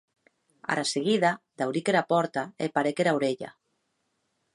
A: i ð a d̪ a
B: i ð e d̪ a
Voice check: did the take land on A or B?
A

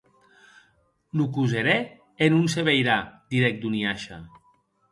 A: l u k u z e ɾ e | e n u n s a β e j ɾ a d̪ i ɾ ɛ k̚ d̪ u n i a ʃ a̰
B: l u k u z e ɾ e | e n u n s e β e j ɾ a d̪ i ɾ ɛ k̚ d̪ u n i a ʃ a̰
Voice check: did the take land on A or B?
B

